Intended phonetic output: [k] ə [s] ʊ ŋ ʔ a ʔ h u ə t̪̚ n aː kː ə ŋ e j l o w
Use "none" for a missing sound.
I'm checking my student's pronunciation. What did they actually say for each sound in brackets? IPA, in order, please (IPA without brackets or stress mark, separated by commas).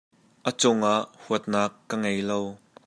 ʔ, t͡s